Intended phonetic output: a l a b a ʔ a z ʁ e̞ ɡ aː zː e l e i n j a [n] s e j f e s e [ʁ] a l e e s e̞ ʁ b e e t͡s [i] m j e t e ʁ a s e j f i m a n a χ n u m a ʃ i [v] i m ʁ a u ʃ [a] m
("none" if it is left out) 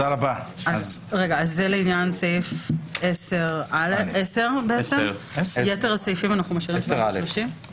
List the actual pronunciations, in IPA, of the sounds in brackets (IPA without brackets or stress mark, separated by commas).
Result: n, ʁ, e, ʁ, i